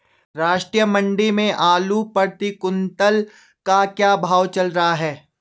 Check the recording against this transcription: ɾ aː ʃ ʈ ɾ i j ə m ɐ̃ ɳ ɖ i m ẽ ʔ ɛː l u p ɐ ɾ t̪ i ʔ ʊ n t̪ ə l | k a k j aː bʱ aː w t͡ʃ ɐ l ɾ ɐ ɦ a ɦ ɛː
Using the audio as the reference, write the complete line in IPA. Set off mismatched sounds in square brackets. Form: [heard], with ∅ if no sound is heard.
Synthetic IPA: ɾ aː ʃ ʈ ɾ i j ə m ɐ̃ ɳ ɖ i m ẽ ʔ [aː] l u p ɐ ɾ t̪ i [k] ʊ n t̪ ə l | k a k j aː bʱ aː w t͡ʃ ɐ l ɾ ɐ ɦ a ɦ ɛː

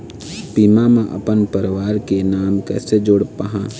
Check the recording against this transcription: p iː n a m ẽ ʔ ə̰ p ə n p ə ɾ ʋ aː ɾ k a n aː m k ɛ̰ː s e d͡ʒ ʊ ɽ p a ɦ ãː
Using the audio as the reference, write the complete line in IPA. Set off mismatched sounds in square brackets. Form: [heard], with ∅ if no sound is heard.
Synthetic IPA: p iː [m] a m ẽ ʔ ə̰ p ə n p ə ɾ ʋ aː ɾ k [e] n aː m k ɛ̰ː s e d͡ʒ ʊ ɽ p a ɦ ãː

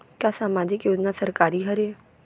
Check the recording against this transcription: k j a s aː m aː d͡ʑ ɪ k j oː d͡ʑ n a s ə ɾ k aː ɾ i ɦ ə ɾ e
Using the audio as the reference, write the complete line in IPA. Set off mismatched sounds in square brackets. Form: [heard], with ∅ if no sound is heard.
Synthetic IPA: k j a s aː m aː d͡ʑ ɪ k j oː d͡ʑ n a s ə ɾ k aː ɾ i ɦ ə ɾ e

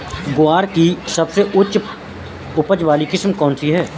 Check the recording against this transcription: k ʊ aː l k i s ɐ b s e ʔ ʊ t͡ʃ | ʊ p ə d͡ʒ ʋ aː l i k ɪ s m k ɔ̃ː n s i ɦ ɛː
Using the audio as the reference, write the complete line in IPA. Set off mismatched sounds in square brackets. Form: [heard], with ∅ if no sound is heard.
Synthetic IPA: [ɡ] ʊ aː [ɾ] k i s ɐ b s e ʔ ʊ t͡ʃ | ʊ p ə d͡ʒ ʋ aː l i k ɪ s m k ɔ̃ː n s i ɦ ɛː

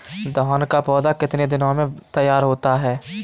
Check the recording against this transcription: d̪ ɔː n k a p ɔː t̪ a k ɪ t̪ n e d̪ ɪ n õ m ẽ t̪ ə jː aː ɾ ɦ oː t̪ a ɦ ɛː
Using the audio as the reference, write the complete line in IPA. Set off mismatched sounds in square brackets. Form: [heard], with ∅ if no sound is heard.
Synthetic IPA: d̪ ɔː n k a p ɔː [d̪] a k ɪ t̪ n e d̪ ɪ n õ m ẽ t̪ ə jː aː ɾ ɦ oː t̪ a ɦ ɛː

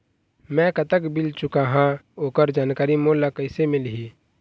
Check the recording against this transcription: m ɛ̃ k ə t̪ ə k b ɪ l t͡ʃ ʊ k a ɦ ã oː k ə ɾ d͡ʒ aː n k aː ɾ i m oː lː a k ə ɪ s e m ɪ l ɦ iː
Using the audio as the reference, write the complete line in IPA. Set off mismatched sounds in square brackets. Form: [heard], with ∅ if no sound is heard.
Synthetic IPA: m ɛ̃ k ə t̪ ə k b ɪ l t͡ʃ ʊ k a ɦ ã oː k ə ɾ d͡ʒ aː n k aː ɾ i m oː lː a k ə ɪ s e m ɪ l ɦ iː

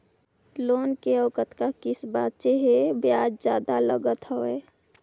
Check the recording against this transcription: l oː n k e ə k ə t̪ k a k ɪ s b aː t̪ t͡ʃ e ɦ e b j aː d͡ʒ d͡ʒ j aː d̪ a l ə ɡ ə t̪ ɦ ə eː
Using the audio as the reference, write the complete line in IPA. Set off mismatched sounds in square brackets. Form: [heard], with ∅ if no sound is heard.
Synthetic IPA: l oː n k e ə k ə t̪ k a k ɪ s b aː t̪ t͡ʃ e ɦ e b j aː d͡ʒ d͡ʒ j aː d̪ a l ə ɡ ə t̪ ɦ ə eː

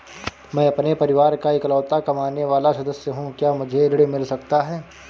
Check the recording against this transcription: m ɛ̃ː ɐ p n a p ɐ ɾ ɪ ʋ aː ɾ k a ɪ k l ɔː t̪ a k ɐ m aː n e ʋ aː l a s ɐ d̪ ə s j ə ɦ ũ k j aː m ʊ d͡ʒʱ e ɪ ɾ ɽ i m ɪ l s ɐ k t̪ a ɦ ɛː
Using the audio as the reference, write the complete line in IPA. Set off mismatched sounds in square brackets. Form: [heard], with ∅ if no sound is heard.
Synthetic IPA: m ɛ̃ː ɐ p n [e] p ɐ ɾ ɪ ʋ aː ɾ k a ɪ k l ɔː t̪ a k ɐ m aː n e ʋ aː l a s ɐ d̪ ə s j ə ɦ ũ k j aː m ʊ d͡ʒʱ e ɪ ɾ ɽ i m ɪ l s ɐ k t̪ a ɦ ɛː

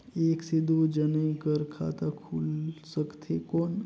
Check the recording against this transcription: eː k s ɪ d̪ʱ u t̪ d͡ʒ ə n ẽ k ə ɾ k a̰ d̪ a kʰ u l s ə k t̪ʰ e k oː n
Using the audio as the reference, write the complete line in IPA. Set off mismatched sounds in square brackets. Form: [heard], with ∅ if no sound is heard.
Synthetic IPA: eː k s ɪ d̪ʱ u [∅] d͡ʒ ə n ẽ k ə ɾ [kʰ] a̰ [t̪] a kʰ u l s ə k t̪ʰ e k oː n

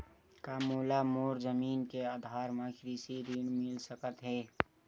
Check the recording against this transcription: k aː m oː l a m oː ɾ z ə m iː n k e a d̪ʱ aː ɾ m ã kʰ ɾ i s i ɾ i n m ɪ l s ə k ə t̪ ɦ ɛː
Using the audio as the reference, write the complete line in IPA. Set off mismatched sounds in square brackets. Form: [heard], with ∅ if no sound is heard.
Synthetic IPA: k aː m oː l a m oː ɾ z ə m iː n k e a d̪ʱ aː ɾ m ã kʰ ɾ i s i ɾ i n m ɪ l s ə k ə t̪ ɦ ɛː

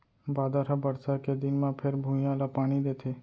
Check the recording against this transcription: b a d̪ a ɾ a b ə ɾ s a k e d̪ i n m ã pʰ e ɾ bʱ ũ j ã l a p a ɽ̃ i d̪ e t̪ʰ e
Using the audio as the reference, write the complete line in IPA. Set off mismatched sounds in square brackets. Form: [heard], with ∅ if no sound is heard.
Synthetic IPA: b a d̪ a ɾ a b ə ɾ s a k e d̪ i n m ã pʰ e ɾ bʱ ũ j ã l a p a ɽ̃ i d̪ e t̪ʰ e

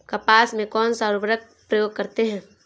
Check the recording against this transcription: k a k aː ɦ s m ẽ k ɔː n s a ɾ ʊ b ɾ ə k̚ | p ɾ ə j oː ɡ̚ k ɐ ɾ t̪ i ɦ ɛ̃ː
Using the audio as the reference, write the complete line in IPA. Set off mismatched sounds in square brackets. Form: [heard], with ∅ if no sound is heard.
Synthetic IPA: k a [p] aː [∅] s m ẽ k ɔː n s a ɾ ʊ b ɾ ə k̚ | p ɾ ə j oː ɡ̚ k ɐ ɾ t̪ [e] ɦ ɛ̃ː

